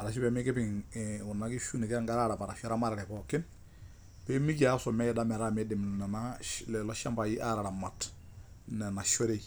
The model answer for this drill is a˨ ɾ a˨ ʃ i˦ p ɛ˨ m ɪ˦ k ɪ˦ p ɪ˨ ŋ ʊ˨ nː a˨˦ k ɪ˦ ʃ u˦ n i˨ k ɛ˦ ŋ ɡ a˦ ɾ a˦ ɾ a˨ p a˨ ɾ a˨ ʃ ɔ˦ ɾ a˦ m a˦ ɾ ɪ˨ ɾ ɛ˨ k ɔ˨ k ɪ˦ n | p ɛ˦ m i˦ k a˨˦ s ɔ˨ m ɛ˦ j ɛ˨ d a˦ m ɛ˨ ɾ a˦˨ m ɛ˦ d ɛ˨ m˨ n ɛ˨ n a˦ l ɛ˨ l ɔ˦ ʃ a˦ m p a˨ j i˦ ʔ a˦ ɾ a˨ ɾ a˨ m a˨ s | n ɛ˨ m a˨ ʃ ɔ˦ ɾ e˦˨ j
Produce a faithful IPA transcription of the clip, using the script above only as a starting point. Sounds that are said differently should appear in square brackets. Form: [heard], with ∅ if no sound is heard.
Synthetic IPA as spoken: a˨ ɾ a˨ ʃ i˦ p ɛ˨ m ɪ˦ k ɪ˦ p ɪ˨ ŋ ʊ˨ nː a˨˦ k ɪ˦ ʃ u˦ n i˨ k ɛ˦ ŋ ɡ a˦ ɾ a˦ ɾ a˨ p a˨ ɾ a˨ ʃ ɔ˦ ɾ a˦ m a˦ ɾ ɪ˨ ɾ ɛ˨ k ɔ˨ k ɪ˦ n | p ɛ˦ m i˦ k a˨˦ s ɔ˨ m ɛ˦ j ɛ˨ d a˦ m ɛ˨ ɾ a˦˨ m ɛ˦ d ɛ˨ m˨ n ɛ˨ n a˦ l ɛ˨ l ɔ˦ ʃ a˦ m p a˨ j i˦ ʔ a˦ ɾ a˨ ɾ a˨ m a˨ [t] | n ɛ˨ [n] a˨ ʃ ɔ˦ ɾ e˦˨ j